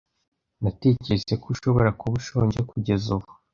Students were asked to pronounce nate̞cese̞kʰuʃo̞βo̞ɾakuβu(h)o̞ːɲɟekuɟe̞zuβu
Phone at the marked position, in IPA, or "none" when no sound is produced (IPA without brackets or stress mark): ʃ